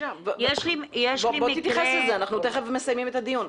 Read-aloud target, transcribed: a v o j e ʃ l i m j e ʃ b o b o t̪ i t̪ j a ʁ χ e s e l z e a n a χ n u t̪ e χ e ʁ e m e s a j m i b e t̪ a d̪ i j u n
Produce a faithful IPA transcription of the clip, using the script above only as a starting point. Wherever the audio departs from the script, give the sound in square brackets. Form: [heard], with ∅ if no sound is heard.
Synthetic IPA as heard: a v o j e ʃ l i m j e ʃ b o b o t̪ i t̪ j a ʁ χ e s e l z e a n a χ n u t̪ e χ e [v] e m e s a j m i [m] e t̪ a d̪ i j u n